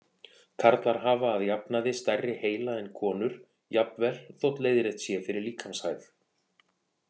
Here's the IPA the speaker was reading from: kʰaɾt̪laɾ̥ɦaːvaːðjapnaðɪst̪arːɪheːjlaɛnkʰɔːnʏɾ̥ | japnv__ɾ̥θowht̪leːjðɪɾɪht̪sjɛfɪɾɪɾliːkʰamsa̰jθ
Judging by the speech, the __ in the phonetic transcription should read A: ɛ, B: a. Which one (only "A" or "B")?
A